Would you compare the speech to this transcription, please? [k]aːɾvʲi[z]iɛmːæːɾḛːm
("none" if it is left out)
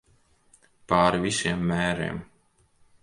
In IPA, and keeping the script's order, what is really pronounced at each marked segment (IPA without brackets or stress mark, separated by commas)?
p, s